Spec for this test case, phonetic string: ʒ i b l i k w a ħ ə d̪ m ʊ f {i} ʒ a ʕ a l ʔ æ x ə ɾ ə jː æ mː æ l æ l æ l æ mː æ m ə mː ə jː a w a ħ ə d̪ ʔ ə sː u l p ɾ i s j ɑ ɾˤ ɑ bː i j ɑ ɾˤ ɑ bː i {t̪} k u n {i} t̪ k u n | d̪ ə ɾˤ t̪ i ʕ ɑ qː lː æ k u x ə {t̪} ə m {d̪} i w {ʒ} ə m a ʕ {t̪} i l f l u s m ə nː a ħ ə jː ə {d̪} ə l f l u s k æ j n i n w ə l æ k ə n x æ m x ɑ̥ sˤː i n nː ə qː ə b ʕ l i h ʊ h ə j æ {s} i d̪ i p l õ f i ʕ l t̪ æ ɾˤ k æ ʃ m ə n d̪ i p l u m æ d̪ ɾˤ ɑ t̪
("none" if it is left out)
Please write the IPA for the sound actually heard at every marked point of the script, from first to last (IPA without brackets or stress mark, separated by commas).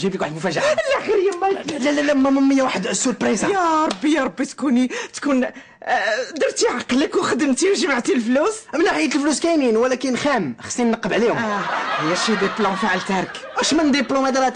æ, t̪, i, d̪, t̪, ʒ, t̪, t̪, ʃ